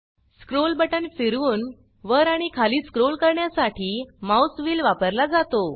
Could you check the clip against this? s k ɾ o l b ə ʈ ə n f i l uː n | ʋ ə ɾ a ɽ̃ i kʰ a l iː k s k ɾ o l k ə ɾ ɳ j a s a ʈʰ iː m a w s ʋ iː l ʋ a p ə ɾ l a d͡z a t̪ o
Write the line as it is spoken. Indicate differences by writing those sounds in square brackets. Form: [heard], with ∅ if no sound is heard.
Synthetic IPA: s k ɾ o l b ə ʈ ə n f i [ɾ] uː n | ʋ ə ɾ a ɽ̃ i kʰ a l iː [∅] s k ɾ o l k ə ɾ ɳ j a s a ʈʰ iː m a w s ʋ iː l ʋ a p ə ɾ l a d͡z a t̪ o